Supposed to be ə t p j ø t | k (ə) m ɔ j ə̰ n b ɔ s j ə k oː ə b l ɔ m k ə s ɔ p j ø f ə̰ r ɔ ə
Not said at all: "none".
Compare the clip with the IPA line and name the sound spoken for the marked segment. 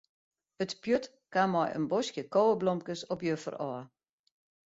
a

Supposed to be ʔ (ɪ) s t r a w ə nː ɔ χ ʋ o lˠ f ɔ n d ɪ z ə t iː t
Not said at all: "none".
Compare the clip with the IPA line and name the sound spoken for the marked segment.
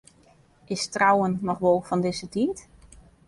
ɪ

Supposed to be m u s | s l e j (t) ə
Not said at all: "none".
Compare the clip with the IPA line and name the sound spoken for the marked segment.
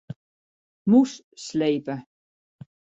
p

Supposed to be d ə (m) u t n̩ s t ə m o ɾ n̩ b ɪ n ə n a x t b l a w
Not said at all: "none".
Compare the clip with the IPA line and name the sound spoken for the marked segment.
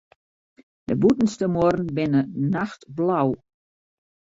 b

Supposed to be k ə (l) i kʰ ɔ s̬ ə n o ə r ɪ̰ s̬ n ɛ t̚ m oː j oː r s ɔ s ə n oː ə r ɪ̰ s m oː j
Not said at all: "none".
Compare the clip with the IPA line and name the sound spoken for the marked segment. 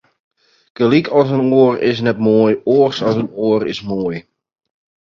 l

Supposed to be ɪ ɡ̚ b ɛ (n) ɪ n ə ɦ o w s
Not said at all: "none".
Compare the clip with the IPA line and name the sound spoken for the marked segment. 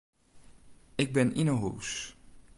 n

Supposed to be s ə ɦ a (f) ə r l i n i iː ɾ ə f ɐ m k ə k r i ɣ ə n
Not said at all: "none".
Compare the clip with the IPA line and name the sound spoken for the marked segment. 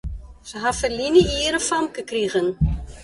f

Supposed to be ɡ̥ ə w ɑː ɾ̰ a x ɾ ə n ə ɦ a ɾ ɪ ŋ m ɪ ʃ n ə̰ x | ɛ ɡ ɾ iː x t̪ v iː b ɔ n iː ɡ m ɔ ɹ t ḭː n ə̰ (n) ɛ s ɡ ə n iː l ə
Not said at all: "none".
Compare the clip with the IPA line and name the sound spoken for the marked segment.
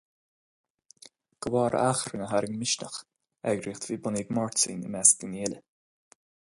m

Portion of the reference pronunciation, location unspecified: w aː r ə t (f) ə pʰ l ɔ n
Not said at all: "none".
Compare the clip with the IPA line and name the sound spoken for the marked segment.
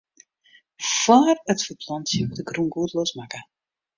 f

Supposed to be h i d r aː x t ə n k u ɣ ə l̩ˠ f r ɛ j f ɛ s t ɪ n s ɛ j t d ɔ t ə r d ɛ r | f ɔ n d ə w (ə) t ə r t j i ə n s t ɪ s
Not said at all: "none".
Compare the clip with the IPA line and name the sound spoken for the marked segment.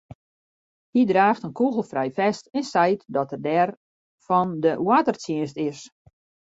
a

